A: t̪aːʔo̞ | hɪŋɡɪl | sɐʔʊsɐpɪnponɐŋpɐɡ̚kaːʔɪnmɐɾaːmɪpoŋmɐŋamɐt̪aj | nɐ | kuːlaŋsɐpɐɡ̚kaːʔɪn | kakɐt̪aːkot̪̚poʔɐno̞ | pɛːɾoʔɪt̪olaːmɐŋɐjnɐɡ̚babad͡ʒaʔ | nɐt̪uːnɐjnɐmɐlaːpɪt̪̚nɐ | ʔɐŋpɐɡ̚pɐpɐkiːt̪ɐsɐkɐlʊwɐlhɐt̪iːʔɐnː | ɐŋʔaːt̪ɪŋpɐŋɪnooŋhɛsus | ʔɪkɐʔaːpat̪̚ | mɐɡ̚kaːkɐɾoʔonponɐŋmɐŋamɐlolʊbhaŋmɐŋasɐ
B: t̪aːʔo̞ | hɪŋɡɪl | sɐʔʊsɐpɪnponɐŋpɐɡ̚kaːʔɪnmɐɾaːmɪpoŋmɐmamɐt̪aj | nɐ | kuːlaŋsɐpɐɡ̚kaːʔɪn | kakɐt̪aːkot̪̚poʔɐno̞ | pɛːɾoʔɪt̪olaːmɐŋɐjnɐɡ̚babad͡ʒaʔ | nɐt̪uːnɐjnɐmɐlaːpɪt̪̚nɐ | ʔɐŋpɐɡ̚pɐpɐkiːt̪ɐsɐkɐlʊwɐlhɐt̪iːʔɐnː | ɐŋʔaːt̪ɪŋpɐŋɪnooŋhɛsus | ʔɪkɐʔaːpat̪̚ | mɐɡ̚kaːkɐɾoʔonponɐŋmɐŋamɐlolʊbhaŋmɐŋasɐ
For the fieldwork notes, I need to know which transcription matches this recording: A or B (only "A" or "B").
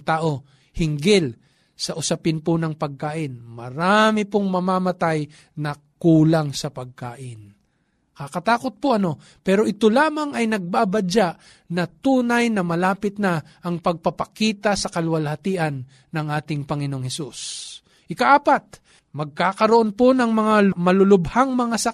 B